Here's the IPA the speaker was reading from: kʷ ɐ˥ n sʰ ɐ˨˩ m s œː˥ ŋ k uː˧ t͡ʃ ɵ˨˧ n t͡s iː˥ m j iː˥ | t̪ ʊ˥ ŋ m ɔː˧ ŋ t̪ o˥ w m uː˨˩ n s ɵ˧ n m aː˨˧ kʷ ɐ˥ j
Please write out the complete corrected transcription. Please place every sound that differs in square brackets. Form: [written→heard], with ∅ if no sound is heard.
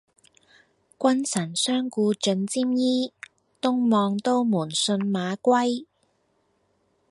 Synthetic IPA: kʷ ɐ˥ n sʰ ɐ˨˩ [m→n] s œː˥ ŋ k uː˧ t͡ʃ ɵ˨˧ n t͡s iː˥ m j iː˥ | t̪ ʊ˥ ŋ m ɔː˧ ŋ t̪ o˥ w m uː˨˩ n s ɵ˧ n m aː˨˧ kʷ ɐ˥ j